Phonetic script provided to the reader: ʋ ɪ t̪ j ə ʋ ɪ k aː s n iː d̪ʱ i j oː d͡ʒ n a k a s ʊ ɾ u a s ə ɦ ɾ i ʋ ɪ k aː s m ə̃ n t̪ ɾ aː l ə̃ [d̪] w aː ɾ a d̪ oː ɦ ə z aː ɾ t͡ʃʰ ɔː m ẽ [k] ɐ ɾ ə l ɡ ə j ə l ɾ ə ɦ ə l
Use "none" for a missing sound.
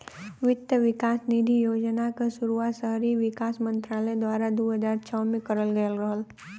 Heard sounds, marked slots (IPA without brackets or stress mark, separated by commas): d̪, k